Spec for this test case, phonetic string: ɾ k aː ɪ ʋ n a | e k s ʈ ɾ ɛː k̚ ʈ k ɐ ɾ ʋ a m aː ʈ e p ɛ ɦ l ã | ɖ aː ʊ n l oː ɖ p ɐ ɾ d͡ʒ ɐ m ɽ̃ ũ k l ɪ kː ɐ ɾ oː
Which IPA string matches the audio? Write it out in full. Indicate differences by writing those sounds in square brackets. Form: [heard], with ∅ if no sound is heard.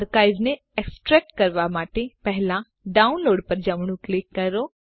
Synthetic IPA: ɾ k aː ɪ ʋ n [e] | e k s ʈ ɾ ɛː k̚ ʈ k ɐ ɾ ʋ a m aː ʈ e p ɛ ɦ l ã | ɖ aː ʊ n l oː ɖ p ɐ ɾ d͡ʒ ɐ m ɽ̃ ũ k l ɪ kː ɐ ɾ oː